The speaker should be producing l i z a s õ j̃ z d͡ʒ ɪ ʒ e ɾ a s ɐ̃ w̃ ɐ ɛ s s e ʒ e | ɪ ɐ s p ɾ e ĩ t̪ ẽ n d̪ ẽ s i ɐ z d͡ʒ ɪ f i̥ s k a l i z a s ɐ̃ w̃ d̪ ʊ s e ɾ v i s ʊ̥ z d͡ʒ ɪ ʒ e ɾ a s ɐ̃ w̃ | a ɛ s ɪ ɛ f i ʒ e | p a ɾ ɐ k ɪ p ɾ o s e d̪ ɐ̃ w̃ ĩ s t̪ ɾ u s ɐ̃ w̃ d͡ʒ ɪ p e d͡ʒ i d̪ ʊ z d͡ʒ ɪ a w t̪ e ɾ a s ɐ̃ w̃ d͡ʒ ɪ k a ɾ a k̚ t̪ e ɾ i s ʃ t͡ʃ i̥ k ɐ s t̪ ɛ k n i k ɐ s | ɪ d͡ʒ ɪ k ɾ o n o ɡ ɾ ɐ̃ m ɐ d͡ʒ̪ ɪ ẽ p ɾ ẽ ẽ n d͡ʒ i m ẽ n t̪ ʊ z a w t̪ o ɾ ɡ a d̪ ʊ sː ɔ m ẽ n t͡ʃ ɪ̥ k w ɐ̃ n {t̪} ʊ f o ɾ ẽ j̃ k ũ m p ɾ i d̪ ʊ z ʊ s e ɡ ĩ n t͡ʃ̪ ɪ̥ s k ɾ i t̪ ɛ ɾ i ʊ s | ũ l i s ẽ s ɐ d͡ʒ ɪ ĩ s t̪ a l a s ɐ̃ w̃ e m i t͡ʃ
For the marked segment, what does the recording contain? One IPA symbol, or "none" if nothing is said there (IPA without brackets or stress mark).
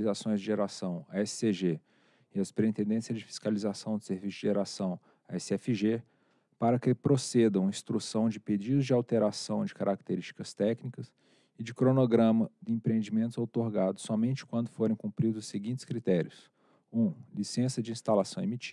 d̪